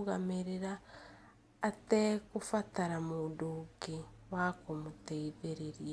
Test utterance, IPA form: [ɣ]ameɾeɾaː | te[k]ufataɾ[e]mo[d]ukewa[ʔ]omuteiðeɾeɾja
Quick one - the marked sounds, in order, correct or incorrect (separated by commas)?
correct, correct, incorrect, correct, incorrect